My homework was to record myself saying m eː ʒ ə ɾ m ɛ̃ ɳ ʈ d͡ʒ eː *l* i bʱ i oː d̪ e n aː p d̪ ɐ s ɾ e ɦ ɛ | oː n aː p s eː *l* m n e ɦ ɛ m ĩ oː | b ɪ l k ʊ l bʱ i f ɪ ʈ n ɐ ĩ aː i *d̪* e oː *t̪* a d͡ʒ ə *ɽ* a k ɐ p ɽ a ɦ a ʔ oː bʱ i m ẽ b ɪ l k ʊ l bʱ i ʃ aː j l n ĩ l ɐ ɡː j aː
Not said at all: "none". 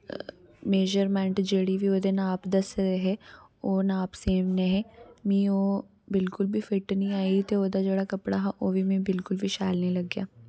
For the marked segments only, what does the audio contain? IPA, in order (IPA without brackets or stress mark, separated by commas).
ɽ, none, t̪, d̪, ɽ